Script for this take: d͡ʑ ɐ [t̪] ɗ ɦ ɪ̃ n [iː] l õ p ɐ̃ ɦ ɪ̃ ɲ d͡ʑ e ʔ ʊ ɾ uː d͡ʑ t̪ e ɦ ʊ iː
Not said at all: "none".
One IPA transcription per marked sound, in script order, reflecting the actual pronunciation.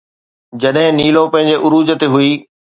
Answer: none, iː

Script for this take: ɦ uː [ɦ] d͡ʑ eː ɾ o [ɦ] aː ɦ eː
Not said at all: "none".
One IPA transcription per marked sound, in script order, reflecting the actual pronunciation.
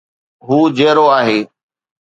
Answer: none, none

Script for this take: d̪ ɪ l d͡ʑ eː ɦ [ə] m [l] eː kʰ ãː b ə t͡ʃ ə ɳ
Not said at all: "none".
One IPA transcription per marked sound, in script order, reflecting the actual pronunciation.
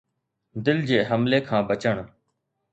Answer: ə, l

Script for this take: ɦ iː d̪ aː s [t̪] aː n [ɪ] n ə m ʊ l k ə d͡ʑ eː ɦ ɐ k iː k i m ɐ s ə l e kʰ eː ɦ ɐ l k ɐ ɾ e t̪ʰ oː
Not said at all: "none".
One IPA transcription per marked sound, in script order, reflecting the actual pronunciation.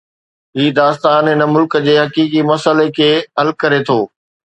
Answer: t̪, ɪ

